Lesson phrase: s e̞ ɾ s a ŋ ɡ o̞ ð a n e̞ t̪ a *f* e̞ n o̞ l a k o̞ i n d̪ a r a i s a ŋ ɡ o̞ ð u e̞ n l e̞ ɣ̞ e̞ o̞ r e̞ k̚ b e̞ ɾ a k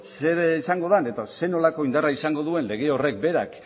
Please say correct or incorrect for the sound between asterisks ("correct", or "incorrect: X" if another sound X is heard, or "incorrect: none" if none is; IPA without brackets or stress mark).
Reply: incorrect: s